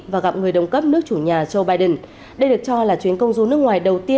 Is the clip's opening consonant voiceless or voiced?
voiced